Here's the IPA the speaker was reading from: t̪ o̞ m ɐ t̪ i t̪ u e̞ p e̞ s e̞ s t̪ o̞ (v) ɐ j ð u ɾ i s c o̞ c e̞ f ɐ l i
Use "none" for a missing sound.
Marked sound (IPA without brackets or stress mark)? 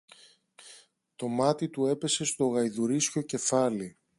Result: ɣ